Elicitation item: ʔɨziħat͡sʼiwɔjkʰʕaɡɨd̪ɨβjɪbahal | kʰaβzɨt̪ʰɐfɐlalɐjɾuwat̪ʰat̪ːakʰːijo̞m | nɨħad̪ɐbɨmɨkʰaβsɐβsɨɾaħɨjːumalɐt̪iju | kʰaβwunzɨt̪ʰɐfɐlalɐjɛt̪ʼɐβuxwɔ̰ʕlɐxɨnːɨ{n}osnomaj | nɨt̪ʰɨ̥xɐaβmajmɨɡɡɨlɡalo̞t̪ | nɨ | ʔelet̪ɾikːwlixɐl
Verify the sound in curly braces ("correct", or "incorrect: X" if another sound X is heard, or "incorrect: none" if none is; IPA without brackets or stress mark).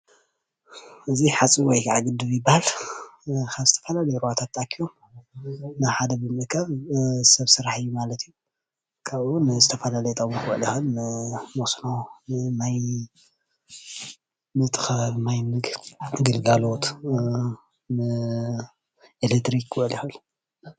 incorrect: m